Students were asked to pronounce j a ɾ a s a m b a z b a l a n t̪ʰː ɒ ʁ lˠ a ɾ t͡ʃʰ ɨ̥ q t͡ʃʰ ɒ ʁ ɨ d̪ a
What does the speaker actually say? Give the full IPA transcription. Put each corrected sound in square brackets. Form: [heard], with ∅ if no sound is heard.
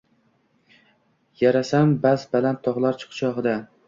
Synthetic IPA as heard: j a ɾ a s a m b a z b a l a n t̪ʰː ɒ ʁ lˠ a ɾ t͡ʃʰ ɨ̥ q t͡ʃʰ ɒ ʁ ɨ d̪ a